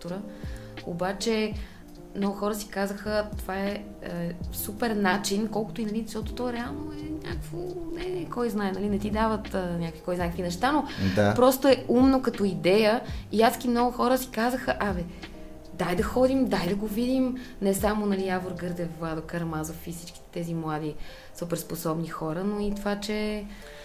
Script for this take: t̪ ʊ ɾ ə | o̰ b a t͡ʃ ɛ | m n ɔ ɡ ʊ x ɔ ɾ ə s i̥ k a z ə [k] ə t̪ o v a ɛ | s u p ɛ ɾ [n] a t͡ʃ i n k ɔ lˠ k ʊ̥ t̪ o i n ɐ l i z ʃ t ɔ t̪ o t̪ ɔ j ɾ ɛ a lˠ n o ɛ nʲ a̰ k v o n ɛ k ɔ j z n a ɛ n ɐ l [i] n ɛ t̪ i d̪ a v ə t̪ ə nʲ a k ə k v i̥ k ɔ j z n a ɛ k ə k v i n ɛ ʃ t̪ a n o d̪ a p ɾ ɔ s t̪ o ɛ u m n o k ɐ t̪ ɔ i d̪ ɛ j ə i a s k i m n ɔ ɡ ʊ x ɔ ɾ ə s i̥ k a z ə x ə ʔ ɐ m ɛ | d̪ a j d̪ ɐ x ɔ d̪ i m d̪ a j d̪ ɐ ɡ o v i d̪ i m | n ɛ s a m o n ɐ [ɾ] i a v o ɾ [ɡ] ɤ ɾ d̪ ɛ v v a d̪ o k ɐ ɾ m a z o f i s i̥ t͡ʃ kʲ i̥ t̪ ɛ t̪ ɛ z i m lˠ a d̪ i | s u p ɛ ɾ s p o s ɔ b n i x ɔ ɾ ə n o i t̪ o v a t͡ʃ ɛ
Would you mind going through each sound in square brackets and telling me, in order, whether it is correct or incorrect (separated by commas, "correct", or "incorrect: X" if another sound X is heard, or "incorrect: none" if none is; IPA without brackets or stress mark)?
incorrect: x, correct, correct, incorrect: l, correct